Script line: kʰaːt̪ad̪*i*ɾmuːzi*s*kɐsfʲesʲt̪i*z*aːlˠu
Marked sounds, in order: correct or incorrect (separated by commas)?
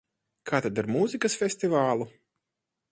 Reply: incorrect, incorrect, incorrect